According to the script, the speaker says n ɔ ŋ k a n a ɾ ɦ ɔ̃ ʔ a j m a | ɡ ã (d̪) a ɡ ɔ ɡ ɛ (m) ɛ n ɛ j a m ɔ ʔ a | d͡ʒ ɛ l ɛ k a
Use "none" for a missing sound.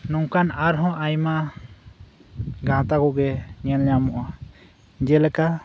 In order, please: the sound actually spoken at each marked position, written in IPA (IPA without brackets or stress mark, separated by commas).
t̪, ɲ